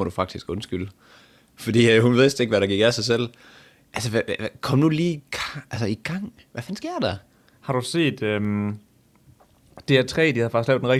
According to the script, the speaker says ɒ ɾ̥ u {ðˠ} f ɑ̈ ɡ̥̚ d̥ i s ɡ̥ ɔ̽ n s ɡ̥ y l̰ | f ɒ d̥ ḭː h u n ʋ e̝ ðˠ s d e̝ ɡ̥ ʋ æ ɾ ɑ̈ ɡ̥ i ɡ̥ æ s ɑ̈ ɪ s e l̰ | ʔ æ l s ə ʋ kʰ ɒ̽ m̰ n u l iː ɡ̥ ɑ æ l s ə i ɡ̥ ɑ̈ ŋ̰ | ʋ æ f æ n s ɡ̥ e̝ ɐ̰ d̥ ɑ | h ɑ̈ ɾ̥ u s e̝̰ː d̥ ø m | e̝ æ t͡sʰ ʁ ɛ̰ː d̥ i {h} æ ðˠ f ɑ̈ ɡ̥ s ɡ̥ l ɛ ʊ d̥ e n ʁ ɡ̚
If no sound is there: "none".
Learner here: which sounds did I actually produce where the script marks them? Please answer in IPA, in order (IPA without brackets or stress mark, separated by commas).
none, h